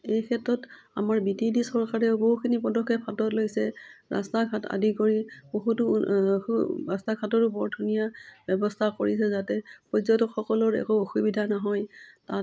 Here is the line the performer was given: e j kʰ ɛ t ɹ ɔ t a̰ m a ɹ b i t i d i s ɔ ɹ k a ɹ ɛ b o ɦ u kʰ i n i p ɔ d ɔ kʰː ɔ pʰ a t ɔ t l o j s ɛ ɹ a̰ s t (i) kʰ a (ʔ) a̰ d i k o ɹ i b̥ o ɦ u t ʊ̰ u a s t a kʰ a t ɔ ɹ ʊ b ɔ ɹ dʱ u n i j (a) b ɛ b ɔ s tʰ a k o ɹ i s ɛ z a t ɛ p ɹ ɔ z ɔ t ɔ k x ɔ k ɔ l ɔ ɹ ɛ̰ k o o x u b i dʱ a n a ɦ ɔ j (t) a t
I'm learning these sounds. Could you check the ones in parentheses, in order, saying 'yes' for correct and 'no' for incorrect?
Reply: no, no, yes, yes

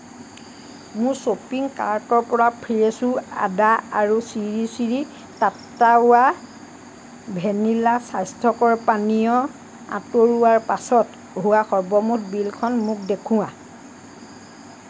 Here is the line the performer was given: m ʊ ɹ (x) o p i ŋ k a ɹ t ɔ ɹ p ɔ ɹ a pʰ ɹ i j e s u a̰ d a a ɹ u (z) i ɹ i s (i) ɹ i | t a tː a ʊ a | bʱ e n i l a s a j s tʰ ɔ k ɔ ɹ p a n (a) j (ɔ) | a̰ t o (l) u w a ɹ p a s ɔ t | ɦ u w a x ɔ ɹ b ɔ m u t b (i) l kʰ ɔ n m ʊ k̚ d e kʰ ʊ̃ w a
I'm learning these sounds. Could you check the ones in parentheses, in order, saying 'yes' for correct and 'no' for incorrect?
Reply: no, no, yes, no, yes, no, yes

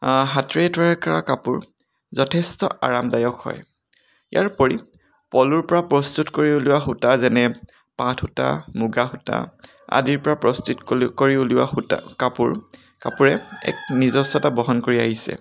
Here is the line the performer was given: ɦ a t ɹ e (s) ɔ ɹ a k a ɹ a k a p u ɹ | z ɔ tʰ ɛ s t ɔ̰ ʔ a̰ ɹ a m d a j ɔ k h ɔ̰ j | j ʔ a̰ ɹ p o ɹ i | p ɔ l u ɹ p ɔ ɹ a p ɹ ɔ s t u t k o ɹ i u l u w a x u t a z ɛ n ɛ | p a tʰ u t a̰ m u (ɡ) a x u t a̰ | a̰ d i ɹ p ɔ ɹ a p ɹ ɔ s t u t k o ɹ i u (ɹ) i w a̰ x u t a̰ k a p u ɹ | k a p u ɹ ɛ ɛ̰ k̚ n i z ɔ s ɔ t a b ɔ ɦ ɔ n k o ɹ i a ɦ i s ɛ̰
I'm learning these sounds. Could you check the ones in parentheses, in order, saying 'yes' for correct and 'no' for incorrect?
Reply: no, yes, no

